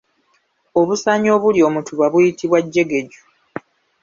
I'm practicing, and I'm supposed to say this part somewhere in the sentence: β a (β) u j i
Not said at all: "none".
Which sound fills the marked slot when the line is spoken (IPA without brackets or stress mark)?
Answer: β